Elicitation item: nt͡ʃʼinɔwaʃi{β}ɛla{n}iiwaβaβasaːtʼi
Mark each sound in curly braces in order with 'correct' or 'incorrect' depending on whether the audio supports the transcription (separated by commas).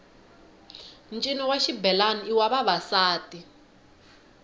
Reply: incorrect, correct